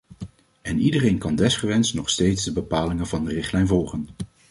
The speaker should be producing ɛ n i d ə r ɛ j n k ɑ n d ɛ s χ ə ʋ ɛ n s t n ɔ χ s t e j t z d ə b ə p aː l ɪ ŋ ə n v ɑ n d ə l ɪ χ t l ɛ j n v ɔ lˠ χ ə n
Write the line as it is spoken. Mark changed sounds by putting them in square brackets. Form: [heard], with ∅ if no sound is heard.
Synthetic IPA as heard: ɛ n i d ə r [e] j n k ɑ n d ɛ s χ ə ʋ ɛ n s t n ɔ χ s t e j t z d ə b ə p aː l ɪ ŋ ə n v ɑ n d ə [r] ɪ χ t l ɛ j n v ɔ lˠ χ ə n